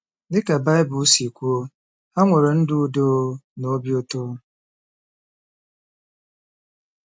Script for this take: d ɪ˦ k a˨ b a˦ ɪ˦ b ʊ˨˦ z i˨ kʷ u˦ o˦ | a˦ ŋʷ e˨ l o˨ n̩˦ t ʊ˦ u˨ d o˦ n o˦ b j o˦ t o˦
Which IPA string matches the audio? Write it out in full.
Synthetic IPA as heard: d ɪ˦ k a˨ b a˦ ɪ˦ b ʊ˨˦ s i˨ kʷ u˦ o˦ | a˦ ŋʷ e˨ ɾ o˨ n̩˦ d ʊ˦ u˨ d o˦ n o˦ b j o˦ t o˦